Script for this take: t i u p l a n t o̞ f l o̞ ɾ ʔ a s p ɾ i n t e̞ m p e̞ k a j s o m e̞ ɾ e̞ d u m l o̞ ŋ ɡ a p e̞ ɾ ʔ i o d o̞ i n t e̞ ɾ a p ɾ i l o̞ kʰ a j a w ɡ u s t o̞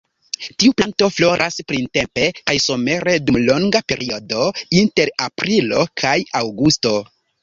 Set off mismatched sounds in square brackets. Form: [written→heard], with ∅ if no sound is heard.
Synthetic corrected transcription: t i u p l a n t o̞ f l o̞ ɾ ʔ a s p ɾ i n t e̞ m p e̞ k a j s o m e̞ ɾ e̞ d u m l o̞ ŋ ɡ a p e̞ ɾ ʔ i o d o̞ i n t e̞ ɾ a p ɾ i l o̞ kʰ a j a w ɡ u s t o̞